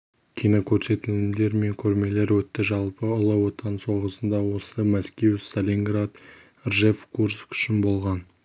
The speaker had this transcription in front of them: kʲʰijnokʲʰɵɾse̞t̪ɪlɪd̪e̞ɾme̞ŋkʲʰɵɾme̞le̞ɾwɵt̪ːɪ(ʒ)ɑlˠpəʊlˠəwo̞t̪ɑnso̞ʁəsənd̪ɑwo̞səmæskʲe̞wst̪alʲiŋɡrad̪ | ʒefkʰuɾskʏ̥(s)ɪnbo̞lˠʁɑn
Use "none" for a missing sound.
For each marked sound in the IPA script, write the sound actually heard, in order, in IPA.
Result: ʒ, ʃ

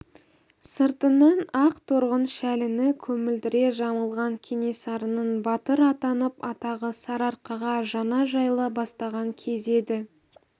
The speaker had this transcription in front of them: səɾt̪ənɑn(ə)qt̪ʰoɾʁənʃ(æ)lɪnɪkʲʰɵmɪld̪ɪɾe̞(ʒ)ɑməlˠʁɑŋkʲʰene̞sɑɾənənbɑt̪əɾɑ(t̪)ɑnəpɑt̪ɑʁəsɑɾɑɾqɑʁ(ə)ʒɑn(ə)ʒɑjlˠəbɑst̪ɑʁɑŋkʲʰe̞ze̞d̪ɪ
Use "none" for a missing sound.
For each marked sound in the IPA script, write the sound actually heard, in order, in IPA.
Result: ɑ, æ, ʒ, t̪, ɑ, ɑ

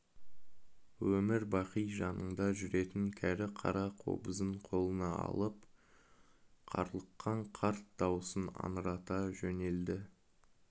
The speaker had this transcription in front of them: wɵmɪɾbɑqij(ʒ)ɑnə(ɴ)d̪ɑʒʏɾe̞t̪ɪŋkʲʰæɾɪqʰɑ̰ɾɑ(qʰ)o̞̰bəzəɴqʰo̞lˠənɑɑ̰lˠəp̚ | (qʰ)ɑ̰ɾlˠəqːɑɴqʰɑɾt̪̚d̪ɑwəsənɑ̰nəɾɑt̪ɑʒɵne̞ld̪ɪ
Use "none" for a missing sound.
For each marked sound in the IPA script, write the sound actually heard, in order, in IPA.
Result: ʒ, ɴ, qʰ, qʰ

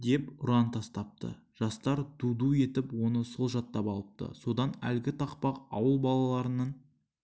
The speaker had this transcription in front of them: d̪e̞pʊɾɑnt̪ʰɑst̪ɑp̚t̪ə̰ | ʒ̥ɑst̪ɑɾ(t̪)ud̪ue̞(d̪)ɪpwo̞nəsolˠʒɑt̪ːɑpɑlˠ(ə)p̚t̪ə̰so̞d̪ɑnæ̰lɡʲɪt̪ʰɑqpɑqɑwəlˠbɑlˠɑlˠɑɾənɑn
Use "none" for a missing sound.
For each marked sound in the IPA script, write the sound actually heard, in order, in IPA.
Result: d̪, t̪, ə

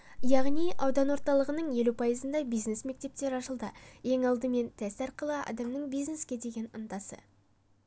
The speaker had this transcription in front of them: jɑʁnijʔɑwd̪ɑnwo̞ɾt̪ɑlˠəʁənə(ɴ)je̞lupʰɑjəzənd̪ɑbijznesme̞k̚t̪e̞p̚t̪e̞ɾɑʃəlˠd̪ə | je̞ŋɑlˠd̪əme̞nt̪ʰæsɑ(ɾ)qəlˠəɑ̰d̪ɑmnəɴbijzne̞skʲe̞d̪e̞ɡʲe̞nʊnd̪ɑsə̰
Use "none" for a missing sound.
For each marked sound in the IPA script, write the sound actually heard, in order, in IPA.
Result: ɴ, ɾ

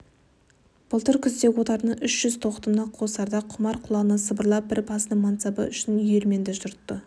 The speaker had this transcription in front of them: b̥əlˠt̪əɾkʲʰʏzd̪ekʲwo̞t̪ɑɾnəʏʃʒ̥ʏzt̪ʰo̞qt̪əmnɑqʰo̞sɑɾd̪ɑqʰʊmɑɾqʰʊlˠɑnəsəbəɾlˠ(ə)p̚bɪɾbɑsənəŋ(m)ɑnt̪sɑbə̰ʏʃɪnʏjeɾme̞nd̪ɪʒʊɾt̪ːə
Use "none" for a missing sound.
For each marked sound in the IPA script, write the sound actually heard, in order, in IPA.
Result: ɑ, m

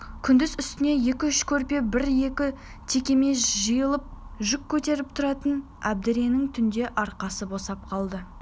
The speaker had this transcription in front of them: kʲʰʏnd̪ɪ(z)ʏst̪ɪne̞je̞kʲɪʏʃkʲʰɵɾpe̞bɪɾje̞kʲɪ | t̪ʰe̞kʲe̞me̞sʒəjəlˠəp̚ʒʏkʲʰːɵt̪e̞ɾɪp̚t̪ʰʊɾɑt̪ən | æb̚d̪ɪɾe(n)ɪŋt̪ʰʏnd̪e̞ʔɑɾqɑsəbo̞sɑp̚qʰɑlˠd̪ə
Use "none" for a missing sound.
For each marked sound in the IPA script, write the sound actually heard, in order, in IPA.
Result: z, n

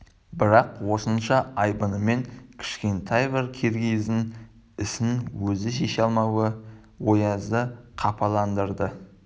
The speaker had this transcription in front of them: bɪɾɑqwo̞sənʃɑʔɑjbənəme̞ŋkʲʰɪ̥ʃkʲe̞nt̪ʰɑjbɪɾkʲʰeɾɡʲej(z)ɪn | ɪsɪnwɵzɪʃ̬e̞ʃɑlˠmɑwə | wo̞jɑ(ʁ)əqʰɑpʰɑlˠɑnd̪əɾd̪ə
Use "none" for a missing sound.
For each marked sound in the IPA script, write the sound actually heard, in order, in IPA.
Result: z, z

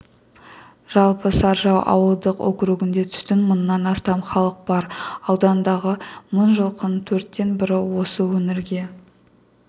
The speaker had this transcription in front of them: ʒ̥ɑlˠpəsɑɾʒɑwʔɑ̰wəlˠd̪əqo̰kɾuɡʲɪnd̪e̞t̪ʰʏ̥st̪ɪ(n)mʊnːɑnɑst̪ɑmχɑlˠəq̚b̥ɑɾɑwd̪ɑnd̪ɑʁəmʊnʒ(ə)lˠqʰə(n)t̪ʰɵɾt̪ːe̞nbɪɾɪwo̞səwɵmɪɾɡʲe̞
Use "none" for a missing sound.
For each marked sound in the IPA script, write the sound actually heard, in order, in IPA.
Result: n, ə, n

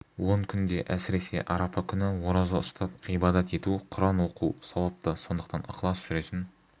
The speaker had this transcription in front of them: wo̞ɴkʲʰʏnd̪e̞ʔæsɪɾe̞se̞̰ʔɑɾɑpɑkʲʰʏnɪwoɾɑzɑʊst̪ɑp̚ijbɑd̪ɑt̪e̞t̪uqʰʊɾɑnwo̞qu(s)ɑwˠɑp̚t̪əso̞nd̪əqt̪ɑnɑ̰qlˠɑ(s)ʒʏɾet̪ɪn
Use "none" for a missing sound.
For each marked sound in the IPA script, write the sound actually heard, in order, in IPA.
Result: s, s

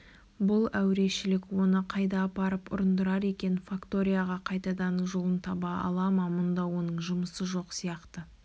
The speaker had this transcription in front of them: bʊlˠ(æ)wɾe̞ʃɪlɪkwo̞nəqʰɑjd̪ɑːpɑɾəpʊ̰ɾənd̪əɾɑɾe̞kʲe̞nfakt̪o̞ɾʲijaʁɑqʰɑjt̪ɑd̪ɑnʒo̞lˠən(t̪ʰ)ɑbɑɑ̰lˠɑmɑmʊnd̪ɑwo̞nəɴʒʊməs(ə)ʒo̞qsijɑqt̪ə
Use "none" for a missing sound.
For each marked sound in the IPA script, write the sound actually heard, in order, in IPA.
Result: æ, t̪ʰ, ə

